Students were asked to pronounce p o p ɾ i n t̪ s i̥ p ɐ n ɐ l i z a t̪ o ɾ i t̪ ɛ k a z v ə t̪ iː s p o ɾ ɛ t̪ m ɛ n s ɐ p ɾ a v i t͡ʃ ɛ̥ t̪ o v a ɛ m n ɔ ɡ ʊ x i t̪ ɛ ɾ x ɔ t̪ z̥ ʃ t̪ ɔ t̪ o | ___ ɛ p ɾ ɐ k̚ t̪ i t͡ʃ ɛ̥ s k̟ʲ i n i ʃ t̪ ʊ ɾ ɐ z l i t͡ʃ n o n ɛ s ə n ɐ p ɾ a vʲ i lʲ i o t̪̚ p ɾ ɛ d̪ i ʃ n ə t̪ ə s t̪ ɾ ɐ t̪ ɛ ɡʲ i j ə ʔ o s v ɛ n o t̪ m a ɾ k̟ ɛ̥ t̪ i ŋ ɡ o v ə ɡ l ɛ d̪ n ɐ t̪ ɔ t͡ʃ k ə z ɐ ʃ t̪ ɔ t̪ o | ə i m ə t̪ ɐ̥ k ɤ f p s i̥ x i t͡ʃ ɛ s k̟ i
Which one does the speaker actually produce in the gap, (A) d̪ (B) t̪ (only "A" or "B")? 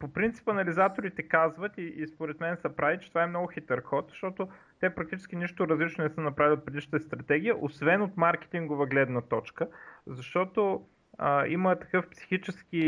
B